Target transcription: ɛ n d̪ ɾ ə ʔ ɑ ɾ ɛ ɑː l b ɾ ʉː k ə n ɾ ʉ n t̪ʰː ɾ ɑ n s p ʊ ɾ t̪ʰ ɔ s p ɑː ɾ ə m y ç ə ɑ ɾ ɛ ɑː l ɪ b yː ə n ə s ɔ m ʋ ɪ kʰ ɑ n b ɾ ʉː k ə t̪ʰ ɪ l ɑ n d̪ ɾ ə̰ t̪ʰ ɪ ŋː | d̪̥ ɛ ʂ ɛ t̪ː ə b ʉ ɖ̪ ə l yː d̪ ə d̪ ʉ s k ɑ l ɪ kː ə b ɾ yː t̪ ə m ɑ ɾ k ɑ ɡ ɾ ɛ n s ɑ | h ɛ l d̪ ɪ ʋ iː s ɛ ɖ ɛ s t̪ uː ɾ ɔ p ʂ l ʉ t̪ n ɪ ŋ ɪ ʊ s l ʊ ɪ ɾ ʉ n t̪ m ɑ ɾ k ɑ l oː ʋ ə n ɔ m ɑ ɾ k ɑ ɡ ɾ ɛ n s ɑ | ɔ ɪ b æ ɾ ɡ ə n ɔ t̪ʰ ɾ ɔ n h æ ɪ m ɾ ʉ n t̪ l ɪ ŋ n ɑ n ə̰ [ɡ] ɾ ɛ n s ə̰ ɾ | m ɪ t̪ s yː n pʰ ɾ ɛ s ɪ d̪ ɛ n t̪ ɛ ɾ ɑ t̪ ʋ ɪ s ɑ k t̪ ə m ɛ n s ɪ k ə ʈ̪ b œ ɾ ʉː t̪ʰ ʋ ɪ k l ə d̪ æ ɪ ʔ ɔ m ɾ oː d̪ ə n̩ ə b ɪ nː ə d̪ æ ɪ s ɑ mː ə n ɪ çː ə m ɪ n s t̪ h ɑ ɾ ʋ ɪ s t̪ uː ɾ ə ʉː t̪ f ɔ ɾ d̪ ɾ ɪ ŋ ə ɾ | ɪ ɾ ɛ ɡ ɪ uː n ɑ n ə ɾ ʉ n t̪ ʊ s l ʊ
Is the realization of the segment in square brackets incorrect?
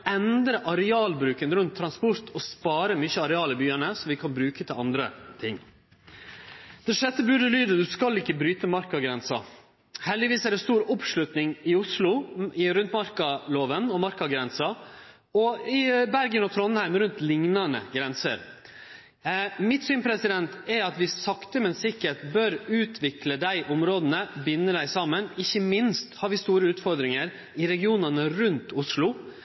no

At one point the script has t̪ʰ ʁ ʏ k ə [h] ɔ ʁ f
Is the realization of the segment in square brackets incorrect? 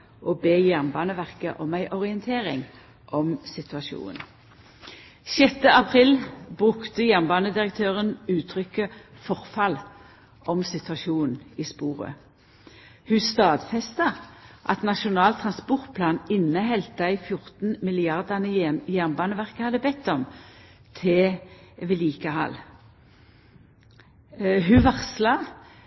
yes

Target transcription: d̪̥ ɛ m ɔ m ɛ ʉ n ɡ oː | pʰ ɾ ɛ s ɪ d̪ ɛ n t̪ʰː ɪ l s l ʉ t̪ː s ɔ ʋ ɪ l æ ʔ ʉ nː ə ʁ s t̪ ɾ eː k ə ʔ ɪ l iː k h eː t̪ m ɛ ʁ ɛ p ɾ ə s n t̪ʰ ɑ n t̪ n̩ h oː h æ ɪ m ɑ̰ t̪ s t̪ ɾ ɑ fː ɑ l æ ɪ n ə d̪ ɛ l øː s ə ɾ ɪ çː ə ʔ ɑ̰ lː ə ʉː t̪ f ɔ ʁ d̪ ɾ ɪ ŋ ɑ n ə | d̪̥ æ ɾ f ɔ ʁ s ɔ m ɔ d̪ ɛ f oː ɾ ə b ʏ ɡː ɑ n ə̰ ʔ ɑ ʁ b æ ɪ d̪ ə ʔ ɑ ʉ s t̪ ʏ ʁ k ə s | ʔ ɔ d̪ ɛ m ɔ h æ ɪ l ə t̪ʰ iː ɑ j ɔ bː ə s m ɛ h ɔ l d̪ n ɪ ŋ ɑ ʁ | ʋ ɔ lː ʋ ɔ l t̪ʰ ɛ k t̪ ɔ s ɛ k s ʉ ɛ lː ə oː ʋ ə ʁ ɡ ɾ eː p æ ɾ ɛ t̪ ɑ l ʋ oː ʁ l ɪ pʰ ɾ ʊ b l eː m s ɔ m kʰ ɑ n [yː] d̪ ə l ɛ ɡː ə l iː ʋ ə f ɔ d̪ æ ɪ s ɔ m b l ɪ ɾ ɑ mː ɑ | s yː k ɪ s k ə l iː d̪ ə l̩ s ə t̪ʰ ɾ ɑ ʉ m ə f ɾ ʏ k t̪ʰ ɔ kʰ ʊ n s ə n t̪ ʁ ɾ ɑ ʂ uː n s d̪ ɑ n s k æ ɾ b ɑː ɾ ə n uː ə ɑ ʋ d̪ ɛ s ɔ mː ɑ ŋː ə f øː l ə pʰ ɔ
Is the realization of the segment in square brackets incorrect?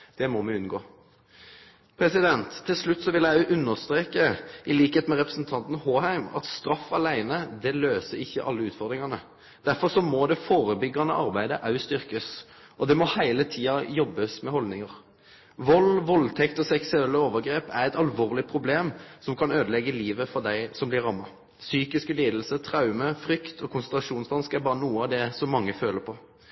yes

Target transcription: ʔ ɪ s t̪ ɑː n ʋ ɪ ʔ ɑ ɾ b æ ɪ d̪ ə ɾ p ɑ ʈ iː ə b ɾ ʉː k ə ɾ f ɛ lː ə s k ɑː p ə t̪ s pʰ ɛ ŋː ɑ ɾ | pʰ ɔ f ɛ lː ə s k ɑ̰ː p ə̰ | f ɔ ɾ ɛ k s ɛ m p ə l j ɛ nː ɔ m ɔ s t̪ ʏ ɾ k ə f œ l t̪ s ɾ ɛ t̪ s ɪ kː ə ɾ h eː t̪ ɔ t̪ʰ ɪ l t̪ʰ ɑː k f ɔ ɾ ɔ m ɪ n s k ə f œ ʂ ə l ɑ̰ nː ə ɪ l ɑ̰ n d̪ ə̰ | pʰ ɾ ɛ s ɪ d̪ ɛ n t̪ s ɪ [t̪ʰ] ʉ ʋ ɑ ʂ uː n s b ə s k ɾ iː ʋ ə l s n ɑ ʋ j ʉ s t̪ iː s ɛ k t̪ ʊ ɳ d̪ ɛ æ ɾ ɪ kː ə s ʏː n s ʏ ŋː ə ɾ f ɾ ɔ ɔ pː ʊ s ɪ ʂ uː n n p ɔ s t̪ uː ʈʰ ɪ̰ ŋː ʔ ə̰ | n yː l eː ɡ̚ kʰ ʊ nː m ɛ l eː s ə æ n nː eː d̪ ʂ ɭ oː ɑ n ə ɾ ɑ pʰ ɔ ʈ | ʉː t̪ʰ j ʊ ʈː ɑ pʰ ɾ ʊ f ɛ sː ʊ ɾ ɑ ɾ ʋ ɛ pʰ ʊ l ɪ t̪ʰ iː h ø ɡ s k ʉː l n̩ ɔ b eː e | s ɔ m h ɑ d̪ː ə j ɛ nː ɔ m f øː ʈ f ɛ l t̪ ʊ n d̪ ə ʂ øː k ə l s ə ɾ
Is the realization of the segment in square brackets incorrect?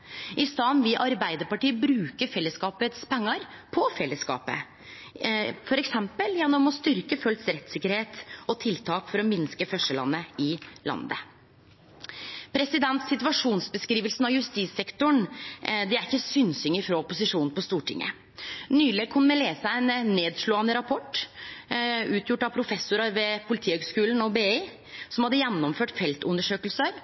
yes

